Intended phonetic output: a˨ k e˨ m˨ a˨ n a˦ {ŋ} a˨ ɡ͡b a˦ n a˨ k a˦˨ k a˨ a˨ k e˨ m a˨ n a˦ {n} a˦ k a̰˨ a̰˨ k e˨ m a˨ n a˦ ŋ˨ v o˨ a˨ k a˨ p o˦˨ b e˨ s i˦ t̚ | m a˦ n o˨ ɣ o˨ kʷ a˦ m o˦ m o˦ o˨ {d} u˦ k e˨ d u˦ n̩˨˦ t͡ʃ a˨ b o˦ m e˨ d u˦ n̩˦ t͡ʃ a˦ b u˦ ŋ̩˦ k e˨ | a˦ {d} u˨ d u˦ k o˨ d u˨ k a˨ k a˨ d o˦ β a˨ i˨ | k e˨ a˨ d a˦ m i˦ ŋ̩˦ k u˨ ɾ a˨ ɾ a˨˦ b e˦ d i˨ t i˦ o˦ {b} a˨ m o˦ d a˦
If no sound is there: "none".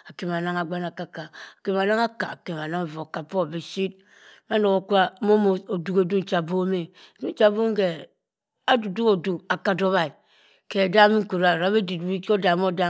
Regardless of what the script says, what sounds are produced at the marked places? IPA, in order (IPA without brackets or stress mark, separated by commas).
ŋ, ŋ, d, d, d